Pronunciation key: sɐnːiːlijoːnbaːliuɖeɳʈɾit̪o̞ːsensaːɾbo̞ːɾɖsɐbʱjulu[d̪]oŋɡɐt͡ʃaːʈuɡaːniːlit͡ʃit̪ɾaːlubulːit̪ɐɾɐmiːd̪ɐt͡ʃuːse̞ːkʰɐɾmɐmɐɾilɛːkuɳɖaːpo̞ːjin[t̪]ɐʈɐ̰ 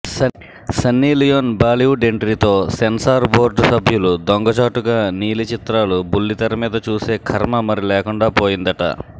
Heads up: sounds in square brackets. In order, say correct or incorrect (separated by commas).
correct, incorrect